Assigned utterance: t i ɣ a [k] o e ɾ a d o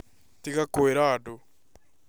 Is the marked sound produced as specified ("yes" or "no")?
yes